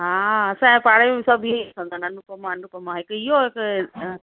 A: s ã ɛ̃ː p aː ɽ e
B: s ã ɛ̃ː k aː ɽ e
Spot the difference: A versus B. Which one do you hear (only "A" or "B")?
A